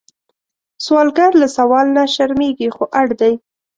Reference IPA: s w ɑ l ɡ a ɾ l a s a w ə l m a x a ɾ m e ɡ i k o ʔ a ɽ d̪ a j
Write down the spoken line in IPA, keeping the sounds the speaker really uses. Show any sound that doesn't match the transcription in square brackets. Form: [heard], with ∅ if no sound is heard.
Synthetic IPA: s w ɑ l ɡ a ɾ l a s a w [ɑ] l [n] a [ʃ] a ɾ m e ɡ i [x] o ʔ a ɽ d̪ a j